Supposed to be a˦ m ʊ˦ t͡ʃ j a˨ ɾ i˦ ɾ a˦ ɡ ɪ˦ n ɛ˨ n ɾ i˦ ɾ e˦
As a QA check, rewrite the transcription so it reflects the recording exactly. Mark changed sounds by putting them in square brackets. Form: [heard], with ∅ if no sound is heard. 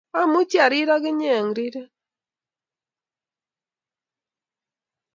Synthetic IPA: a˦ m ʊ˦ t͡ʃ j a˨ ɾ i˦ ɾ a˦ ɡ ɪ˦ [ɲ] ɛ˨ [ŋ] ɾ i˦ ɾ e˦